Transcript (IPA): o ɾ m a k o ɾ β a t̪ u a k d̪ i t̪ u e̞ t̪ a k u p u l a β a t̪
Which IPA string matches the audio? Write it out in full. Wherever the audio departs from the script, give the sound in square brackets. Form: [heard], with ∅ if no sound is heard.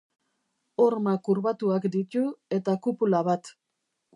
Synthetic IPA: o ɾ m a k [u] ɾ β a t̪ u a k d̪ i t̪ u e̞ t̪ a k u p u l a β a t̪